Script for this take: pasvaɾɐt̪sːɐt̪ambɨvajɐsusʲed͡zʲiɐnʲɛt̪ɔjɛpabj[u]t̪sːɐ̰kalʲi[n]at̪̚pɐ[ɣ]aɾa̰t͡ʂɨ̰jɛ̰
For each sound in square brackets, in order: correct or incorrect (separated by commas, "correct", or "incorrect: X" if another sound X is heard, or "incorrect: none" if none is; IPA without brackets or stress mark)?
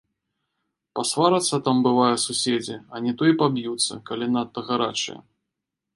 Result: correct, correct, correct